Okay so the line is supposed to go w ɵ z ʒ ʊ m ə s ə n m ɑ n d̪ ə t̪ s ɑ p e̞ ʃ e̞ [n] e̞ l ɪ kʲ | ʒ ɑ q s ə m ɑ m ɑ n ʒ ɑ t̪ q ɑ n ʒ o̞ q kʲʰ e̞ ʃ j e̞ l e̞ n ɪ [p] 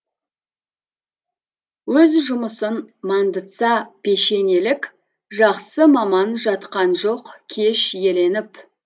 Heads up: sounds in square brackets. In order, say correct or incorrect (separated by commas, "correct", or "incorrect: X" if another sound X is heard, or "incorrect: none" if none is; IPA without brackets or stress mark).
correct, correct